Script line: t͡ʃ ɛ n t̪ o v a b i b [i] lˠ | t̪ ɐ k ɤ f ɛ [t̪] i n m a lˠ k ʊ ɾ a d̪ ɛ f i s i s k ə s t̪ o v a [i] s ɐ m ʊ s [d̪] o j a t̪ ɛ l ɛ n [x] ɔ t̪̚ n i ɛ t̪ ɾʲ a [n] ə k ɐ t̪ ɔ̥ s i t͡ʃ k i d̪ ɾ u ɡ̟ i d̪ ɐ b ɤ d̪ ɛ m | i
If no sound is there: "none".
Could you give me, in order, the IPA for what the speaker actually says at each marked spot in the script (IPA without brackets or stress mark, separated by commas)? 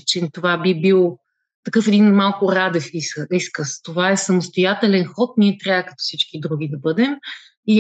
i, d̪, ɛ, t̪, x, none